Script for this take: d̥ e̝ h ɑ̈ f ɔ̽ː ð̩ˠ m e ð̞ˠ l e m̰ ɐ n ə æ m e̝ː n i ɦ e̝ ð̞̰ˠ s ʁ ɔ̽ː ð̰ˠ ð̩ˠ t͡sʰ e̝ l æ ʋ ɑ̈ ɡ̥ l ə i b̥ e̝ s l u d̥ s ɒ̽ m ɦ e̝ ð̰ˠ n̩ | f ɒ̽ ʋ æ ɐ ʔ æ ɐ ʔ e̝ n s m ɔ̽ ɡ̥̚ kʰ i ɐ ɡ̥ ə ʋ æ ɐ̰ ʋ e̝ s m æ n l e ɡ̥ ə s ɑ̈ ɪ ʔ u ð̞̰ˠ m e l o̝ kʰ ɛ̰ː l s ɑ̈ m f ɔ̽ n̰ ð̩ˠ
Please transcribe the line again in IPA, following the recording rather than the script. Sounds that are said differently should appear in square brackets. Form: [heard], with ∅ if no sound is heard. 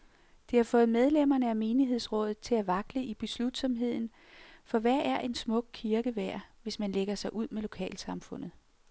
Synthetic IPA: d̥ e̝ h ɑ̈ f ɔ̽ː ð̩ˠ m e ð̞ˠ l e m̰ ɐ n ə æ m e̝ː n i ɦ e̝ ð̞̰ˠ s ʁ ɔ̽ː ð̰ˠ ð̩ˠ t͡sʰ e̝ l æ ʋ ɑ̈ ɡ̥ l ə i b̥ e̝ s l u d̥ s ɒ̽ m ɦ e̝ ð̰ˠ n̩ | f ɒ̽ ʋ æ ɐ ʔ æ ɐ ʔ e̝ n s m ɔ̽ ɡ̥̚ kʰ i ɐ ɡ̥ ə ʋ æ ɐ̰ ʋ e̝ s m æ n l e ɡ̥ [ɐ] s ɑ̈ ɪ ʔ u ð̞̰ˠ m e l o̝ kʰ ɛ̰ː l s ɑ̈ m f ɔ̽ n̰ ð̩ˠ